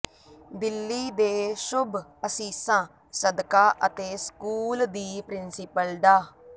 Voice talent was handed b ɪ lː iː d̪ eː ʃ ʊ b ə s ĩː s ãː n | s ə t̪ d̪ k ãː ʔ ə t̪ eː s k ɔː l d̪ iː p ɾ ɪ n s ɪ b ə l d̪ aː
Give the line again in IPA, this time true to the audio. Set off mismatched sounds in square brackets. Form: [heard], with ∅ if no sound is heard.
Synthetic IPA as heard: b ɪ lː iː d̪ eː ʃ ʊ b ə s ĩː s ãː [∅] | s ə [∅] d̪ k [aː] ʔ ə t̪ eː s k [uː] l d̪ iː p ɾ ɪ n s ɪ [p] ə l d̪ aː